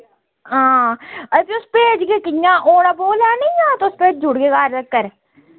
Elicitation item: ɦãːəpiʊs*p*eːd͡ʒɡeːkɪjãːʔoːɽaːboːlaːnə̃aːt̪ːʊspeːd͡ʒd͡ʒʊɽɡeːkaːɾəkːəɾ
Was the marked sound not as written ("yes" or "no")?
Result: no